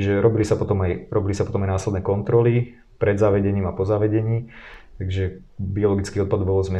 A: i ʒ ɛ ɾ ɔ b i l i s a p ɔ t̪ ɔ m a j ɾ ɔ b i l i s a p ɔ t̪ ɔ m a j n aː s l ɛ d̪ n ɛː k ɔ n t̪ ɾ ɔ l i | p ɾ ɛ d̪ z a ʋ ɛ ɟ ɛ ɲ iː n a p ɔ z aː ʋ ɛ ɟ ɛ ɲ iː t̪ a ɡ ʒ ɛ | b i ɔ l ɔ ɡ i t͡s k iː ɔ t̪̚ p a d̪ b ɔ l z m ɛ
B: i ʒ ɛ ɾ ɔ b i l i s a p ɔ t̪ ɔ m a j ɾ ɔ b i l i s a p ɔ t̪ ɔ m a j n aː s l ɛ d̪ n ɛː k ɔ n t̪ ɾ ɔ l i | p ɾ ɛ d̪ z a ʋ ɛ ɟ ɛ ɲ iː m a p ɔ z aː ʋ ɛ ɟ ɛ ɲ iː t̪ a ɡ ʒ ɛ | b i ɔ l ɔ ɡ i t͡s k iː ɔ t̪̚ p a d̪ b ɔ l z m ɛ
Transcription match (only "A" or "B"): B